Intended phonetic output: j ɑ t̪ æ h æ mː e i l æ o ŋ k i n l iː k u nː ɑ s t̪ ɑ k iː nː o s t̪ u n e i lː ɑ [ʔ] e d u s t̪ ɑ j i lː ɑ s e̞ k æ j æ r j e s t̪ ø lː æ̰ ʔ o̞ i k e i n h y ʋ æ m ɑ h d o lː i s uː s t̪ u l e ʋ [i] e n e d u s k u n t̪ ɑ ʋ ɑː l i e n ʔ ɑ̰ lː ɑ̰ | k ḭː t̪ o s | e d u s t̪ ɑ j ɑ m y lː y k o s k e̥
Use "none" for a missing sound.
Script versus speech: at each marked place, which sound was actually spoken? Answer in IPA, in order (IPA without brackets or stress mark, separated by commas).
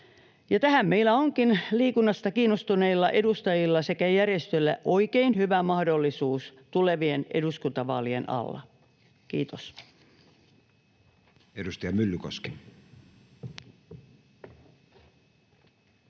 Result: ʔ, i